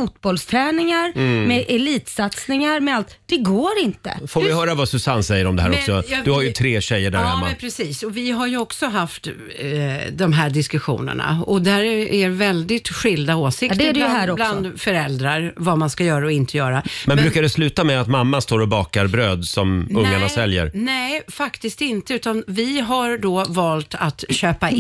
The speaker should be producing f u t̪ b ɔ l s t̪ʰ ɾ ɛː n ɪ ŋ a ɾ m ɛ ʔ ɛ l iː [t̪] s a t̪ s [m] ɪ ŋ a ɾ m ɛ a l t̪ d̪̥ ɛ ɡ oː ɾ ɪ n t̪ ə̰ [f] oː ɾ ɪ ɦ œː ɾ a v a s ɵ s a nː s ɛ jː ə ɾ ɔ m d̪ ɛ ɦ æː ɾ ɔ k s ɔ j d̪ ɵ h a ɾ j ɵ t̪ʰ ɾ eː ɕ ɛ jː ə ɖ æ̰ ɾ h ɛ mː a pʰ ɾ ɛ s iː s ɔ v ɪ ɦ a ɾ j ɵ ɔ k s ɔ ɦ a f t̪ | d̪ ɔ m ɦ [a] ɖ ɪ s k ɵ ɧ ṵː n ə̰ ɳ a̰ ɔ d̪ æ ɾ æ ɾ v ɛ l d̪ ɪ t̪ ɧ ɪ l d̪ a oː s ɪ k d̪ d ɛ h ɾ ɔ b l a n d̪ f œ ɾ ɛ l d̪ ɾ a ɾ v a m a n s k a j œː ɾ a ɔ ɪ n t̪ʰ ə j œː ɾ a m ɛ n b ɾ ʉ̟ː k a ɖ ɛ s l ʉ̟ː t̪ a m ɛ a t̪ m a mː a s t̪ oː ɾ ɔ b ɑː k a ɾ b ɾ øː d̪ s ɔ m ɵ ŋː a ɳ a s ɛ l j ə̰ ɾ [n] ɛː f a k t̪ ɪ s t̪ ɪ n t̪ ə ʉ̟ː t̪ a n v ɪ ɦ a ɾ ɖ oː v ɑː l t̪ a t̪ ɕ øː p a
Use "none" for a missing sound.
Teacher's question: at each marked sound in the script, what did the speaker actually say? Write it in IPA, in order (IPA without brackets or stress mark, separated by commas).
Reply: t̪, n, f, æ, n